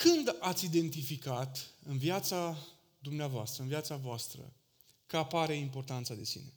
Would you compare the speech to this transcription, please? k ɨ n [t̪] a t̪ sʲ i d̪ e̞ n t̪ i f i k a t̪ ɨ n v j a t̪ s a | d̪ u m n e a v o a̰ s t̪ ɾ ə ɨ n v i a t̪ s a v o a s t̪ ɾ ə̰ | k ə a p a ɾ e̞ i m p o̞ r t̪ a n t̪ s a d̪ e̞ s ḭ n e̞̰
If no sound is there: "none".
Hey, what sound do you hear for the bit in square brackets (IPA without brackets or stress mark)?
d̪